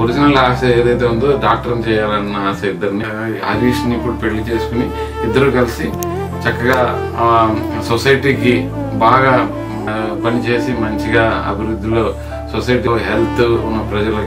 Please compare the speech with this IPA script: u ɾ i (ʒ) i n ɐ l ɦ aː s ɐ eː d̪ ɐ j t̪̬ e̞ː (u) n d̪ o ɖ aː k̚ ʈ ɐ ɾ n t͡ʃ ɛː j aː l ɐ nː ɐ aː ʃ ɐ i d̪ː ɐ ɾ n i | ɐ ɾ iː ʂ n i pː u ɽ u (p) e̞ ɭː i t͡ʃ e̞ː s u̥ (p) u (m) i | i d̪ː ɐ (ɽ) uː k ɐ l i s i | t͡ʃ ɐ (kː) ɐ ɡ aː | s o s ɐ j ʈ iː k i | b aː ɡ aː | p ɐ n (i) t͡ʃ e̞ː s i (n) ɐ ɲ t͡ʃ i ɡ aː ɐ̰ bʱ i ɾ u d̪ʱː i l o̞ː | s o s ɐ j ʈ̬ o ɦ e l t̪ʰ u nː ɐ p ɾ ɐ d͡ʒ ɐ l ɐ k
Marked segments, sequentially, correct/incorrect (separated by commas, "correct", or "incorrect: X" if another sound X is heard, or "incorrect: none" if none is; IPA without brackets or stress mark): incorrect: d͡ʒ, correct, correct, incorrect: k, incorrect: n, incorrect: ɾ, correct, correct, incorrect: m